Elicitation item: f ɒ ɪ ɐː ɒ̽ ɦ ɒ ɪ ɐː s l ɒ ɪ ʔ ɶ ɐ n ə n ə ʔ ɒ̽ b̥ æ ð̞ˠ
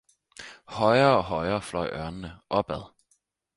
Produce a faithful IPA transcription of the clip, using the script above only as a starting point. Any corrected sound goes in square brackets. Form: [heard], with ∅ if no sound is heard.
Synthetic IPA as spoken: [h] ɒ ɪ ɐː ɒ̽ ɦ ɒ ɪ ɐː [f] l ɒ ɪ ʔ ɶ ɐ n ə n ə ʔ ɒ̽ b̥ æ ð̞ˠ